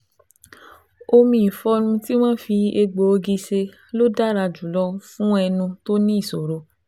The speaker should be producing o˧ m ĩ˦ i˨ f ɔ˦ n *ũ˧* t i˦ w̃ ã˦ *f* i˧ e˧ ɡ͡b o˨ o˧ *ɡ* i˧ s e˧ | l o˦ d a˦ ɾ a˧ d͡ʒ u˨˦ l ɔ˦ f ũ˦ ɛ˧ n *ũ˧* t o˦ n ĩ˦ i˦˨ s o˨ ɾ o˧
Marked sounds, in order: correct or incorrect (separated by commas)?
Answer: correct, correct, correct, correct